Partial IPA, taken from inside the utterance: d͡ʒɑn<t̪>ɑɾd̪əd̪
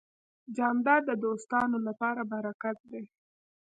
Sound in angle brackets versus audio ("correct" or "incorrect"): incorrect